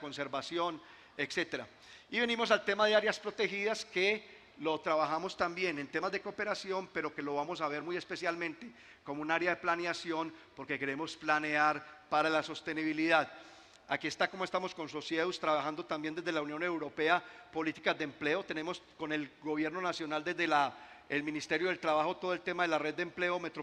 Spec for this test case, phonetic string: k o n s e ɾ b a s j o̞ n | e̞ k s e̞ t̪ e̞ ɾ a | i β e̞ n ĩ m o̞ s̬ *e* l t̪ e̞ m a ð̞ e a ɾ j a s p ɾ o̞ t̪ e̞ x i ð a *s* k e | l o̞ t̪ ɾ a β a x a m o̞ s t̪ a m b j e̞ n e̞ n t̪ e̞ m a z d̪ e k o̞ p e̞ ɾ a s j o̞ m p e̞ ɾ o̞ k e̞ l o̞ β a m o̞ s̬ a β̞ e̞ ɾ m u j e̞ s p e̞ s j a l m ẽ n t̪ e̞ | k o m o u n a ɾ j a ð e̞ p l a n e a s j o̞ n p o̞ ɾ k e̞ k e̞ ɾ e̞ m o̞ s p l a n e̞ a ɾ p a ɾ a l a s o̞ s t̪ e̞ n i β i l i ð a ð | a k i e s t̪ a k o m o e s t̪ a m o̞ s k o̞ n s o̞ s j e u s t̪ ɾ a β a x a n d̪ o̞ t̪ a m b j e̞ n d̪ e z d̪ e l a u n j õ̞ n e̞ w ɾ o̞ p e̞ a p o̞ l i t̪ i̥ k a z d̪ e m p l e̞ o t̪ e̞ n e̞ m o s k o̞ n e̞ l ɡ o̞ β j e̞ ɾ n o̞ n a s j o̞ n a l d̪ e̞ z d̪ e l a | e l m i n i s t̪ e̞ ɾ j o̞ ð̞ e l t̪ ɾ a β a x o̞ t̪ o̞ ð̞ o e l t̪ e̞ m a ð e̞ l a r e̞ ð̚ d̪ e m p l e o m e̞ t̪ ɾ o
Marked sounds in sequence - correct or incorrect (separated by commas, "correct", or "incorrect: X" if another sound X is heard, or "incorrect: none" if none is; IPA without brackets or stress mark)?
incorrect: a, correct